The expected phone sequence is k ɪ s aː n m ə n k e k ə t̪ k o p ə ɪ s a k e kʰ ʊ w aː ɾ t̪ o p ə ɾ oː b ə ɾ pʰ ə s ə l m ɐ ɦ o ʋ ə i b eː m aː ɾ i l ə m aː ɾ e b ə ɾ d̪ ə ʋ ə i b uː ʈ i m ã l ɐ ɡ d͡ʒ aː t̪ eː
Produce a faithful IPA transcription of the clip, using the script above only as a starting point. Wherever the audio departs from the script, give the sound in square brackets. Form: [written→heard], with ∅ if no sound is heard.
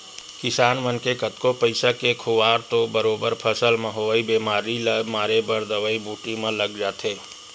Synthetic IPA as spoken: k ɪ s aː n m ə n k e k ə t̪ k o p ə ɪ s a k e kʰ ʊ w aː ɾ t̪ o [p→b] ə ɾ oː b ə ɾ pʰ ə s ə l m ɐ ɦ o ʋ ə i b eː m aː ɾ i l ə m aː ɾ e b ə ɾ d̪ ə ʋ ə i b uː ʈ i m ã l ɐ ɡ d͡ʒ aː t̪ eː